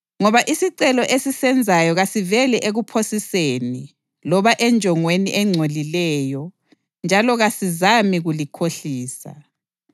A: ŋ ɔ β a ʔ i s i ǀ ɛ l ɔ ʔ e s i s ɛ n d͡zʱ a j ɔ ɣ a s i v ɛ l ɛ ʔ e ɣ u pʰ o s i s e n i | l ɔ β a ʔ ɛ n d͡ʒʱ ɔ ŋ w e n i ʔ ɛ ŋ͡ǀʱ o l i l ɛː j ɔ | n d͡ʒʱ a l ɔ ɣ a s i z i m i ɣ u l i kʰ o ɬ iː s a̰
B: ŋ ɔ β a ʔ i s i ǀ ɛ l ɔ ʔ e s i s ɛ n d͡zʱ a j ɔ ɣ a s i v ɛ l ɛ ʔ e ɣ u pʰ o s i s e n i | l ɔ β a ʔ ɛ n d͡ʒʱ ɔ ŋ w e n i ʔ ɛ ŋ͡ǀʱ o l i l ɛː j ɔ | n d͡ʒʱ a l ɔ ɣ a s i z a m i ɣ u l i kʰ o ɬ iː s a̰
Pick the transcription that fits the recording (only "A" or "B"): B